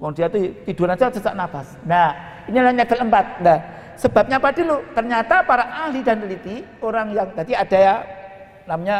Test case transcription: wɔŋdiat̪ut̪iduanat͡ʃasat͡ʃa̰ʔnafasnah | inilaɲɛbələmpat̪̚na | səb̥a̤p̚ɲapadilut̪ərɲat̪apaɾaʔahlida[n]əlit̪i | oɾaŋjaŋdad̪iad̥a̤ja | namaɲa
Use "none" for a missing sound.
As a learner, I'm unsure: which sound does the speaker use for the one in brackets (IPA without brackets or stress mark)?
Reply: n